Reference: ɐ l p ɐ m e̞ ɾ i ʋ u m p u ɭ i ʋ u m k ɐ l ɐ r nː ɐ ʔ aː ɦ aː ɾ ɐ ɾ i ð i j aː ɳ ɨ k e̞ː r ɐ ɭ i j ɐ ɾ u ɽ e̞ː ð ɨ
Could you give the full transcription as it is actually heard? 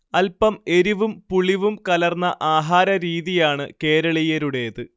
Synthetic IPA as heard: ɐ l p ɐ m e̞ ɾ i ʋ u m p u ɭ i ʋ u m k ɐ l ɐ r nː ɐ ʔ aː ɦ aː ɾ ɐ ɾ iː ð i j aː ɳ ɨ k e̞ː ɾ ɐ ɭ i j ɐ ɾ u ɽ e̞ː ð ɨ